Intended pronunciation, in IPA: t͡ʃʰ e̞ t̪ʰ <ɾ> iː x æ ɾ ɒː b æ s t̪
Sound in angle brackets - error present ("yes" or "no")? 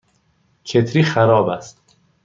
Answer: no